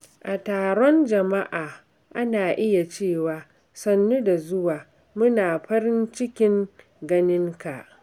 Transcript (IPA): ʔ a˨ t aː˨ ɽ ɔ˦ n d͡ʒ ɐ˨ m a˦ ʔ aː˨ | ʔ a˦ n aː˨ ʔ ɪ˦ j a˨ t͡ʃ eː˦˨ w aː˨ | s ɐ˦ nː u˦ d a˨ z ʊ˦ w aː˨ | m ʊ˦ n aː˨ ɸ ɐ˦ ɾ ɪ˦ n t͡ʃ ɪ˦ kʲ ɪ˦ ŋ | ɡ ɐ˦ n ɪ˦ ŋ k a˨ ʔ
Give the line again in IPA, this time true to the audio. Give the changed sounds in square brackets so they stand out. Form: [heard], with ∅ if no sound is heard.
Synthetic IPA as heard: ʔ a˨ t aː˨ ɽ ɔ˦ n d͡ʒ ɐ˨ m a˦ ʔ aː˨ | ʔ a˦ n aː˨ ʔ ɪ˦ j a˨ t͡ʃ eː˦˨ w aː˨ | s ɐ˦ nː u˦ d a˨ z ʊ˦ w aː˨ | m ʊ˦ n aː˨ ɸ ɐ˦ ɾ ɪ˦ n t͡ʃ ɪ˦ kʲ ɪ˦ ŋ | ɡ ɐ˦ n ɪ˦ ŋ k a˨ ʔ